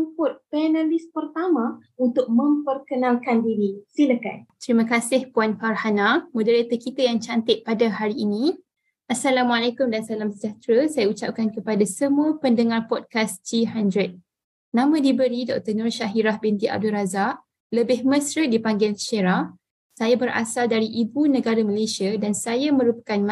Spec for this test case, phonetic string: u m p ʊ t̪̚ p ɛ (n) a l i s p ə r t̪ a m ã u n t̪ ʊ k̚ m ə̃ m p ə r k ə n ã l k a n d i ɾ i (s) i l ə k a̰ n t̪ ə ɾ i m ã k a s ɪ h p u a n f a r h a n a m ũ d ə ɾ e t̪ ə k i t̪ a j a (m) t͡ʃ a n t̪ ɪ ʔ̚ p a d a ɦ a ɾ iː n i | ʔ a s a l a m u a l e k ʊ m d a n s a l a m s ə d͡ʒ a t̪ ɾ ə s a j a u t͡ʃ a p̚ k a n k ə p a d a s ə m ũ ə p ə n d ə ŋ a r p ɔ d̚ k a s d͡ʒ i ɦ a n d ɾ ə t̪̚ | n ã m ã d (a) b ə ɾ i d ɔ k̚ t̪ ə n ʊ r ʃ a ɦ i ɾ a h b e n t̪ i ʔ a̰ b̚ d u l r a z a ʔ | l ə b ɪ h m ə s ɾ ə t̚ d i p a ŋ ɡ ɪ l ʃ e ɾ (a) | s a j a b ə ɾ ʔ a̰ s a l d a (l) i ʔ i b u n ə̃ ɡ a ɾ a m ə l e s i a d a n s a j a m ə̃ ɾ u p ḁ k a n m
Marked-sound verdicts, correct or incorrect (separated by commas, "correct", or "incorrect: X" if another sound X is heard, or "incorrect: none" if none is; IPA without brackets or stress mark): correct, correct, incorrect: ŋ, incorrect: i, correct, incorrect: ɾ